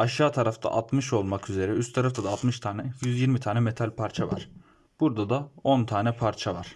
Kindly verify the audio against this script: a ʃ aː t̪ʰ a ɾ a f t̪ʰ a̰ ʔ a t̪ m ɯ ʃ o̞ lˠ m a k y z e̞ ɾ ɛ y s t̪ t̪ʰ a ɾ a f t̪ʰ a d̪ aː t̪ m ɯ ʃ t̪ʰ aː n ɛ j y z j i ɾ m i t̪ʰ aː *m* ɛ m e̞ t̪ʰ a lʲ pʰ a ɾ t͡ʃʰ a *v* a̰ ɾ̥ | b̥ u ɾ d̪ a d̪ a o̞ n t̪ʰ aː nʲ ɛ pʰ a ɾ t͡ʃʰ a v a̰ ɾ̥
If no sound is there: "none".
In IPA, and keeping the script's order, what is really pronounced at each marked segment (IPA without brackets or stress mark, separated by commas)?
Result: n, v